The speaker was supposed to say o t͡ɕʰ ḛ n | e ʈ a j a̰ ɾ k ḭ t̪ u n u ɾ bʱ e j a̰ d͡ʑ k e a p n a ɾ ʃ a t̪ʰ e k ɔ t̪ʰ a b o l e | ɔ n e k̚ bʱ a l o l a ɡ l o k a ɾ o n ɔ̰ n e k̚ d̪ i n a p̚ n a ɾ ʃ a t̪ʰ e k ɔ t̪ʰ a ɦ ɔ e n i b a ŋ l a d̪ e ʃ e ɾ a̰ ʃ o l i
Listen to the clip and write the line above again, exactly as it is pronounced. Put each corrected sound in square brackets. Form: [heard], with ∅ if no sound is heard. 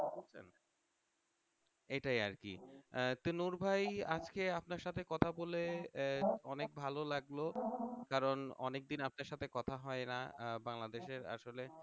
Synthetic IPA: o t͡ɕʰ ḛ n | e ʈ a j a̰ ɾ k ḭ t̪ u n u ɾ bʱ [a] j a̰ d͡ʑ k e a p n a ɾ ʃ a t̪ʰ e k ɔ t̪ʰ a b o l e | ɔ n e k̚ bʱ a l o l a ɡ l o k a ɾ o n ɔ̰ n e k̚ d̪ i n a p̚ n a ɾ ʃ a t̪ʰ e k ɔ t̪ʰ a ɦ ɔ e n [a] b a ŋ l a d̪ e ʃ e ɾ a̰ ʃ o l [e]